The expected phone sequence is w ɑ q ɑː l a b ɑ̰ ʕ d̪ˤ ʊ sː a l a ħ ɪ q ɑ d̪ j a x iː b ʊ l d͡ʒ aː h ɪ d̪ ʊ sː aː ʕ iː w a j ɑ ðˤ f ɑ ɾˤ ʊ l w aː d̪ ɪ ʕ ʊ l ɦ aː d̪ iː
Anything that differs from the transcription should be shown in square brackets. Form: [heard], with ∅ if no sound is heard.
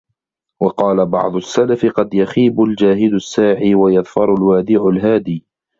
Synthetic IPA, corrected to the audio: w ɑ q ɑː l a b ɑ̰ ʕ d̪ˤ ʊ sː a l a [f] ɪ q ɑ d̪ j a x iː b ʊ l d͡ʒ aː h ɪ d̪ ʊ sː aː ʕ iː w a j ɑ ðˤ f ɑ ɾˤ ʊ l w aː d̪ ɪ ʕ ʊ l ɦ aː d̪ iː